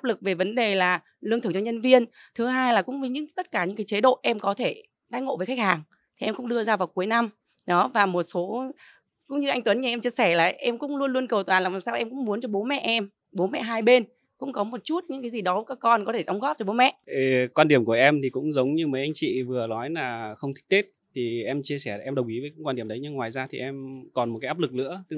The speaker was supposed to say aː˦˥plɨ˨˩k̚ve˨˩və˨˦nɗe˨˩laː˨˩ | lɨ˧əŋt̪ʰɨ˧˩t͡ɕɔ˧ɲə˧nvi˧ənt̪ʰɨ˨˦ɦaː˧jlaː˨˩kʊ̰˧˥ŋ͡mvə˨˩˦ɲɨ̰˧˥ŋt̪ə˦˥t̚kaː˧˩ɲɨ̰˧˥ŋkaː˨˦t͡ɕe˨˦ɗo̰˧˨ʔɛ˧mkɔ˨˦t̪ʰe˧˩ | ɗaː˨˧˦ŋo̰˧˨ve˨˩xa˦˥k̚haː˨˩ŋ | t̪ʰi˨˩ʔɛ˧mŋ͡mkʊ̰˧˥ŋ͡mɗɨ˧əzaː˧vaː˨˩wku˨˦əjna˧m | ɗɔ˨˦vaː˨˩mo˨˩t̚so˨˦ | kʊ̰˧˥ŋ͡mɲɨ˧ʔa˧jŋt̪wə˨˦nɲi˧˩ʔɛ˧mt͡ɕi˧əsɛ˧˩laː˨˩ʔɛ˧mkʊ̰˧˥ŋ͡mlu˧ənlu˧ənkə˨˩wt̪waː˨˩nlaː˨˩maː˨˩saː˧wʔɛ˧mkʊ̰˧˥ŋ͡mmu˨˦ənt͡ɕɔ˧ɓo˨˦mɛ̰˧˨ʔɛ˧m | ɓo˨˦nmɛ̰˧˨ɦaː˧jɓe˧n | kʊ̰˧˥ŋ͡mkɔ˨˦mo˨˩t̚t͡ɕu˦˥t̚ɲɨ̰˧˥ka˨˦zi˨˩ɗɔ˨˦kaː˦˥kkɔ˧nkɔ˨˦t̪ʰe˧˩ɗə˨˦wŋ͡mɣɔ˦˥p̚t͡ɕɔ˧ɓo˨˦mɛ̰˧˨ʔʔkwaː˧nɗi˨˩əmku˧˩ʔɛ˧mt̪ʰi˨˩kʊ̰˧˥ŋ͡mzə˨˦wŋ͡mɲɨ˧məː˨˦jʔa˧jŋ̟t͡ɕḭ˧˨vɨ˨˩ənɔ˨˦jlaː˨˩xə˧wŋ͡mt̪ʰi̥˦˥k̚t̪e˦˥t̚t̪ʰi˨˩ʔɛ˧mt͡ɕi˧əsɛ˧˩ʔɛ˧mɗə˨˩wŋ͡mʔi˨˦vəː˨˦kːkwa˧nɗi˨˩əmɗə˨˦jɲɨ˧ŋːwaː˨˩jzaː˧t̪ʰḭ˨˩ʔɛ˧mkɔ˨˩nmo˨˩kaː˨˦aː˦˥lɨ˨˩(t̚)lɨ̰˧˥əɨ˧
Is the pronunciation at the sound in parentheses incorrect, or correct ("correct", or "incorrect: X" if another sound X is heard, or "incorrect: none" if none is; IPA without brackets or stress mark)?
incorrect: k̚